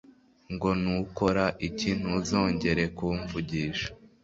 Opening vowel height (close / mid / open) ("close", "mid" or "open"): mid